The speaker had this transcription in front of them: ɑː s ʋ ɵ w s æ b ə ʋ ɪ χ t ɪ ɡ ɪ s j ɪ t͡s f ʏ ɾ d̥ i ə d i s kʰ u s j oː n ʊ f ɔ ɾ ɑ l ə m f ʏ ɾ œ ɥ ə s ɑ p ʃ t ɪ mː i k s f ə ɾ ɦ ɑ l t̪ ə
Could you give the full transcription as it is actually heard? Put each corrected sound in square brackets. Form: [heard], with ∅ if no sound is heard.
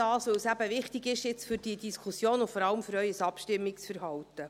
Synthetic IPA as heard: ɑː s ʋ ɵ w s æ b ə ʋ ɪ χ t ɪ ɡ ɪ [ʃ] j ɪ t͡s f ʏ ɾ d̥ i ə d i s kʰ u s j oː n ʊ f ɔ ɾ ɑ l ə m f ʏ ɾ œ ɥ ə s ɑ p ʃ t ɪ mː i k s f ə ɾ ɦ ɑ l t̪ ə